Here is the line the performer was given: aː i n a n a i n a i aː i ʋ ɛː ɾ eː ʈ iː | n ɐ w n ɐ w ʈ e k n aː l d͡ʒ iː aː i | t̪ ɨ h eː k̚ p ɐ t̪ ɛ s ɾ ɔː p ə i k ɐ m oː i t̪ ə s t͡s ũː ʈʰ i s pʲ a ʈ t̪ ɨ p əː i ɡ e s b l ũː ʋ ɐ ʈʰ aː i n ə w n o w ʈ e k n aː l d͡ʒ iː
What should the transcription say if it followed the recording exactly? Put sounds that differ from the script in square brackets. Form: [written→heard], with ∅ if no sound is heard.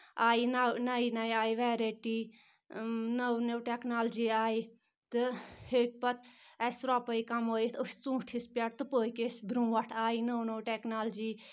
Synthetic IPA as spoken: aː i n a n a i n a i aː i ʋ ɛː ɾ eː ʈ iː | n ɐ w n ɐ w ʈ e k n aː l d͡ʒ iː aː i | t̪ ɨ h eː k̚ p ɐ t̪ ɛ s ɾ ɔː p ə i k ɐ m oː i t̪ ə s t͡s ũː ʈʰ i s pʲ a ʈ t̪ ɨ p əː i [ɡ→k] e s b [l→ɾ] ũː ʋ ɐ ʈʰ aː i n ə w n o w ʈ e k n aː l d͡ʒ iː

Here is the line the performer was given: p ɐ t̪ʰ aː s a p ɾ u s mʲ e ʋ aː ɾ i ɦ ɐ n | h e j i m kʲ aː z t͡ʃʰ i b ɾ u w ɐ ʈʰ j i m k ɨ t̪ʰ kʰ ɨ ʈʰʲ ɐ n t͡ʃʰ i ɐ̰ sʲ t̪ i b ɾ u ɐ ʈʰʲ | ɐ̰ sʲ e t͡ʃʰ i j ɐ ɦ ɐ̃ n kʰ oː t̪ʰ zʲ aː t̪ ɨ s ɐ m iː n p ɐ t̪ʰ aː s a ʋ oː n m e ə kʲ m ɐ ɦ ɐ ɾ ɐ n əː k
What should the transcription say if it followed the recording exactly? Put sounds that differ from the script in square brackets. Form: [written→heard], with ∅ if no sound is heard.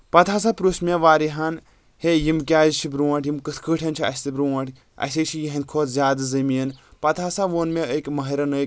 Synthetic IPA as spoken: p ɐ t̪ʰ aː s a p ɾ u s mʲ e ʋ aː ɾ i ɦ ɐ n | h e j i m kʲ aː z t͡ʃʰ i b ɾ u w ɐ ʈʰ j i m k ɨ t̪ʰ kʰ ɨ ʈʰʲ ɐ n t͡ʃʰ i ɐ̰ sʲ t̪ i b ɾ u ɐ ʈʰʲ | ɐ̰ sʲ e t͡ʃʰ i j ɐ ɦ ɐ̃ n kʰ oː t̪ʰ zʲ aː [t̪→d̪] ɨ [s→z] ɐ m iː n p ɐ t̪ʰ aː s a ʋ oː n m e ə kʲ m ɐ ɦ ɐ ɾ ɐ n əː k

